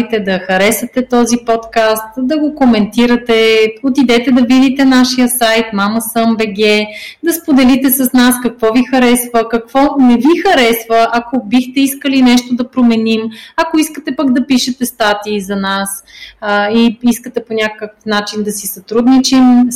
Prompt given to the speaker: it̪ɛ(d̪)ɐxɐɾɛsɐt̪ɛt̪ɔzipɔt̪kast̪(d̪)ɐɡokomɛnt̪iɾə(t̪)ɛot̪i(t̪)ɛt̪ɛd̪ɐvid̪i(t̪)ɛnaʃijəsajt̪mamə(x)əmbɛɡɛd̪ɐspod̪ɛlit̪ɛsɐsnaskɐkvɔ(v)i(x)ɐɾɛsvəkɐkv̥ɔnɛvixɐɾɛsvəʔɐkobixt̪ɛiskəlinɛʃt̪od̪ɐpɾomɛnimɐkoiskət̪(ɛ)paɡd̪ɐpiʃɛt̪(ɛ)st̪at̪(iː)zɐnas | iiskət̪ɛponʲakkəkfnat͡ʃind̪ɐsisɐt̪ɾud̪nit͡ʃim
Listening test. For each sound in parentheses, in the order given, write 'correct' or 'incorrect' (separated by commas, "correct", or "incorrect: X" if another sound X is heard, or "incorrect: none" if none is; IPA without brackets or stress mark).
correct, correct, correct, incorrect: d̪, correct, incorrect: s, correct, correct, correct, correct, correct